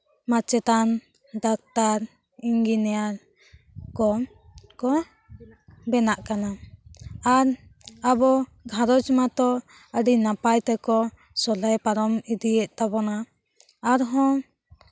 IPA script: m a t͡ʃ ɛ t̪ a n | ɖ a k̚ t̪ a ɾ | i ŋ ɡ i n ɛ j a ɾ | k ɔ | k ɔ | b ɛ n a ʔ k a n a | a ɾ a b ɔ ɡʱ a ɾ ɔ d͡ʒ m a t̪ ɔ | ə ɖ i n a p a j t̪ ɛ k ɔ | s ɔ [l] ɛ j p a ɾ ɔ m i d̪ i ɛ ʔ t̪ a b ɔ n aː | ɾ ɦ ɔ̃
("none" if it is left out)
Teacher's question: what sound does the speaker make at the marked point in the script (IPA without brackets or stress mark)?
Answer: l